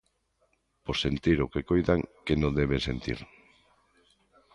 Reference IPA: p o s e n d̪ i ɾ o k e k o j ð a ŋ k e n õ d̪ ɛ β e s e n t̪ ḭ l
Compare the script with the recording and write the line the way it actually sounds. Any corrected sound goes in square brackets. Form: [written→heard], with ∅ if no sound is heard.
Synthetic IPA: p o s e n [d̪→t̪] i ɾ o k e k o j ð a ŋ k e n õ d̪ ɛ β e s e n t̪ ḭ [l→ɾ]

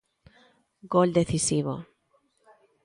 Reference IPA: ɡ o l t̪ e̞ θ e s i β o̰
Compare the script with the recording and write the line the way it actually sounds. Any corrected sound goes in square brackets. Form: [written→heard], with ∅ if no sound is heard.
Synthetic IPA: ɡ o l [t̪→d̪] e̞ θ [e→i] s i β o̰

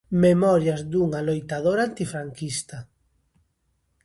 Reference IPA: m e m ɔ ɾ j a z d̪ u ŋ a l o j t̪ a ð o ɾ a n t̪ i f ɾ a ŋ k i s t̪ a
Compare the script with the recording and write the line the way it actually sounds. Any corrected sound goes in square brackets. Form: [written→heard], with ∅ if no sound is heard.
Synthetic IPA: m e m ɔ ɾ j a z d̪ u ŋ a l o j t̪ a ð o ɾ a n t̪ i f ɾ a ŋ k i s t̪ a

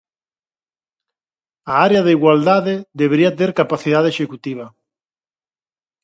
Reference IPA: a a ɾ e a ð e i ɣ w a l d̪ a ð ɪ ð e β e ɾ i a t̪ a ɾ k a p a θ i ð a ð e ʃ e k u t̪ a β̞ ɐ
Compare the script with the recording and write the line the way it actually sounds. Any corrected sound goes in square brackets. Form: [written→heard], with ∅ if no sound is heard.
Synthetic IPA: a a ɾ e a ð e i ɣ w a l d̪ a ð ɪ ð e β e ɾ i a t̪ [a→e] ɾ k a p a θ i ð a ð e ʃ e k u t̪ [a→i] β̞ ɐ

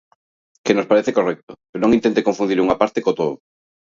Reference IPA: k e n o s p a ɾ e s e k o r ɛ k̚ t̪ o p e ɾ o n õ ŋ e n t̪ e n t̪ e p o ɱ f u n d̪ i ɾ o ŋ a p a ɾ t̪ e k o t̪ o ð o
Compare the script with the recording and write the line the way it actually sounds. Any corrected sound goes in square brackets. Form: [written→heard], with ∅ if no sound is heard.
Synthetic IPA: k e n o s p a ɾ e [s→θ] e k o r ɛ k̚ t̪ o p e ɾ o n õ ŋ [e→i] n t̪ e n t̪ e [p→k] o ɱ f u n d̪ i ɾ [o→u] ŋ a p a ɾ t̪ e k o t̪ o ð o

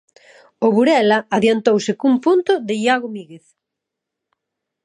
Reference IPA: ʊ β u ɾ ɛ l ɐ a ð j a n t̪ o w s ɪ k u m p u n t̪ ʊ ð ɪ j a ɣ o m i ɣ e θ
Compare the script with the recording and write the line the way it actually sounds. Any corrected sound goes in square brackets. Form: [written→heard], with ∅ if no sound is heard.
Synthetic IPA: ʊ β u ɾ ɛ l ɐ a ð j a n t̪ o w s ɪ k u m p u n t̪ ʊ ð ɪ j a ɣ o m i ɣ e θ

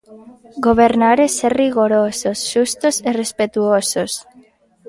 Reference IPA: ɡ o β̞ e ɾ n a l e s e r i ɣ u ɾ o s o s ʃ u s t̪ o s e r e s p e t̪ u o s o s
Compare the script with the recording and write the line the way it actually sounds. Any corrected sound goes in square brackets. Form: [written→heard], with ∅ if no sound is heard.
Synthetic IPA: ɡ o β̞ e ɾ n a [l→ɾ] e s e r i ɣ [u→o] ɾ o s o s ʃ u s t̪ o s e r e s p e t̪ u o s o s

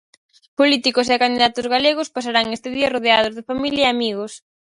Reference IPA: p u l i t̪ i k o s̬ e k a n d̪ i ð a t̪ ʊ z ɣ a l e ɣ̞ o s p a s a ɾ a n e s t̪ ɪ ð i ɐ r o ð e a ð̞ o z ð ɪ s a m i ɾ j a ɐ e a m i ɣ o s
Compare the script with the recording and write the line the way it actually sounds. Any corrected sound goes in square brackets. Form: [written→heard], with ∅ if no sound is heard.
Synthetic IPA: p [u→o] l i t̪ i k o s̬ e k a n d̪ i ð a t̪ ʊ z ɣ a l e ɣ̞ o s p a s a ɾ a [n→ŋ] e s t̪ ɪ ð i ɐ r o ð e a ð̞ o z ð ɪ [s→f] a m i [ɾ→l] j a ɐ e a m i ɣ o s

